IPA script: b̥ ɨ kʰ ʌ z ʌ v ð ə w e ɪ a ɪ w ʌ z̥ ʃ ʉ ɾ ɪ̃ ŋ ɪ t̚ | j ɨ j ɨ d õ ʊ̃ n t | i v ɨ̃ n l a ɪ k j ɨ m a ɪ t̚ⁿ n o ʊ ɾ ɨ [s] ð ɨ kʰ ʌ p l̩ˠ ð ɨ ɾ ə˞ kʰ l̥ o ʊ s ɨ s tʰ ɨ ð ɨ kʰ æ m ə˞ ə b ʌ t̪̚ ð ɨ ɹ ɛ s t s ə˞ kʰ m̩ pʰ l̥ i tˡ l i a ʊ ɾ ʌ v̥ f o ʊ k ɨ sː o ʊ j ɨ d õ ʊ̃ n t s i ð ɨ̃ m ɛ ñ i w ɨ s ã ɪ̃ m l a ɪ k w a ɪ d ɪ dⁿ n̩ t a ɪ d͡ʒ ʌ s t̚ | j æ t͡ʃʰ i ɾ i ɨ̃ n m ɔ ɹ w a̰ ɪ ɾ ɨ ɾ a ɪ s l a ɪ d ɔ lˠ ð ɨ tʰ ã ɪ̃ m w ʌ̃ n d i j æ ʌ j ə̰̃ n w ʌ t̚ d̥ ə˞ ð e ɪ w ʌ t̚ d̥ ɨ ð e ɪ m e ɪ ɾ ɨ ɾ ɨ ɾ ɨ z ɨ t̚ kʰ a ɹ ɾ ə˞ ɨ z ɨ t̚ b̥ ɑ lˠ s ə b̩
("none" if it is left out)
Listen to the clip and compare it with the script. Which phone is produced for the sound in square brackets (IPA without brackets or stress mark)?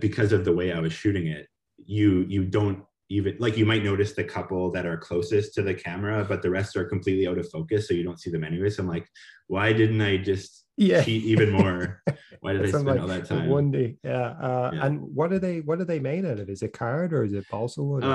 s